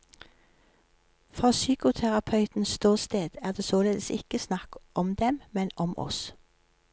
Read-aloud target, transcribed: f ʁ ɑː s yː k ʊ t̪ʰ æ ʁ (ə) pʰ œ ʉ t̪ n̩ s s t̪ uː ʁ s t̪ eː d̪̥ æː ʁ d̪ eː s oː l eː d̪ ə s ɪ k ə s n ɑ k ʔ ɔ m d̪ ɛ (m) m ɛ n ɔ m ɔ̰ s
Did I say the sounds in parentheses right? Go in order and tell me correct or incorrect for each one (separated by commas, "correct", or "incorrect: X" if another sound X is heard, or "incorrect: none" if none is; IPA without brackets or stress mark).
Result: incorrect: ɑ, correct